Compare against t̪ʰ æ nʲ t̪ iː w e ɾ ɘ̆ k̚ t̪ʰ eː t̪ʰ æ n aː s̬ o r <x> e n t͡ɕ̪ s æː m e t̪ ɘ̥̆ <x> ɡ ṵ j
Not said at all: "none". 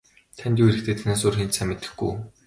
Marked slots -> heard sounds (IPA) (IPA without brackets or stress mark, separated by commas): x, x